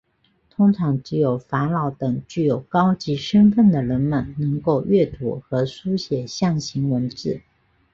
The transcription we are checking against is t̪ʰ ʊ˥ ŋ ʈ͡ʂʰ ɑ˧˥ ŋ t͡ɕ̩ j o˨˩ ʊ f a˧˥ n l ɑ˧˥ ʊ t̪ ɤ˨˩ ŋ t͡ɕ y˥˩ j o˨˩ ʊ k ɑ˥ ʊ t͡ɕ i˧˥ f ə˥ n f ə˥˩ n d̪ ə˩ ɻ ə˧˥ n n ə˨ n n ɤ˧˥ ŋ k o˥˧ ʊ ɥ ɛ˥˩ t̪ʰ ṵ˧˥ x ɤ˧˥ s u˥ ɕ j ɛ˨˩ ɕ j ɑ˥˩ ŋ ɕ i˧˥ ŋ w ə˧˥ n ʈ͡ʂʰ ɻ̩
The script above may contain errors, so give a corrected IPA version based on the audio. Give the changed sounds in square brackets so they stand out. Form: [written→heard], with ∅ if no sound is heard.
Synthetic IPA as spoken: t̪ʰ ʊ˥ ŋ ʈ͡ʂʰ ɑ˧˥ ŋ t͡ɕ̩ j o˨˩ ʊ f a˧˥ n l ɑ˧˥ ʊ t̪ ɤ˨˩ ŋ t͡ɕ y˥˩ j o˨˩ ʊ k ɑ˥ ʊ t͡ɕ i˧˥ [f→ʂ] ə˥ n f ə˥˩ n d̪ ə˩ ɻ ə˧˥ n [n→m] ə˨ n n ɤ˧˥ ŋ k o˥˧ ʊ ɥ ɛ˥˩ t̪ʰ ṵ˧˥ x ɤ˧˥ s u˥ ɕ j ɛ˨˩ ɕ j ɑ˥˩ ŋ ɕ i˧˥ ŋ w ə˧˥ n [ʈ͡ʂʰ→ʈ͡ʂ] ɻ̩